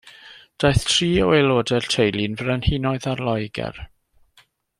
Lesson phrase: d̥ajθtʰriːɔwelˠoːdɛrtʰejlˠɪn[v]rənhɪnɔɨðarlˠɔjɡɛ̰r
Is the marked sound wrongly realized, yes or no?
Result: no